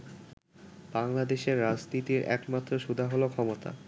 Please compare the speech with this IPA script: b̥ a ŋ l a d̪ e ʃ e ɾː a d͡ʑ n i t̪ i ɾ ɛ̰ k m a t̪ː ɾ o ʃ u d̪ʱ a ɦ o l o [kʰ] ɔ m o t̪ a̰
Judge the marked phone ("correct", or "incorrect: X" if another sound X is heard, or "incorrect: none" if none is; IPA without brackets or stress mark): correct